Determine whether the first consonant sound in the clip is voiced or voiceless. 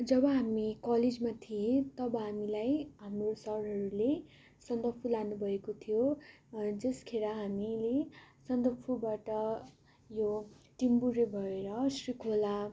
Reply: voiced